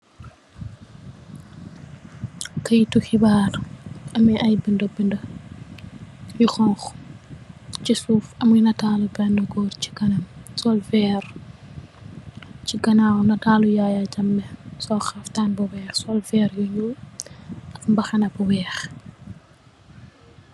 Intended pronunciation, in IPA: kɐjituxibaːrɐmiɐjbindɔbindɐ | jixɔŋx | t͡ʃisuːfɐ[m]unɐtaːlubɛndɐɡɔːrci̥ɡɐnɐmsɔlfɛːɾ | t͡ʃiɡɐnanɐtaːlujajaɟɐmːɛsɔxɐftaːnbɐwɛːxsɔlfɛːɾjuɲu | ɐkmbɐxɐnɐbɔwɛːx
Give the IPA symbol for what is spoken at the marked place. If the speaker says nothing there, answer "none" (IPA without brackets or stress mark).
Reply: m